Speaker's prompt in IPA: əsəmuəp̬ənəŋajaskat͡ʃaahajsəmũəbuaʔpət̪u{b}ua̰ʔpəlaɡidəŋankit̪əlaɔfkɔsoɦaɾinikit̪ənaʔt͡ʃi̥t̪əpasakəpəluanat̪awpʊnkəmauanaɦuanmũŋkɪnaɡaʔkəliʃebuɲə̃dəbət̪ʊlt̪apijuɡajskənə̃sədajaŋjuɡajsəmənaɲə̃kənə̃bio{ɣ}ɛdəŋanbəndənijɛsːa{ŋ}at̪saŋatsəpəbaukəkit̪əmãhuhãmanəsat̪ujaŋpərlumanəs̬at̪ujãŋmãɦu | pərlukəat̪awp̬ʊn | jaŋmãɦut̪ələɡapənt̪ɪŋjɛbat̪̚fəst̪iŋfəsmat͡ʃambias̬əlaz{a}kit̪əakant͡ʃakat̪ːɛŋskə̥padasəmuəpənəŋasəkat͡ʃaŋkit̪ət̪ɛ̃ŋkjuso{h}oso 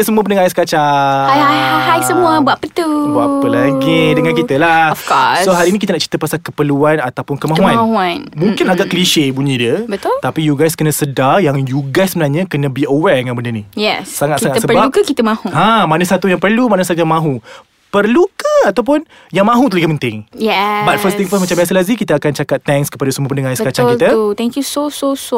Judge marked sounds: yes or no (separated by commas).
yes, no, yes, no, no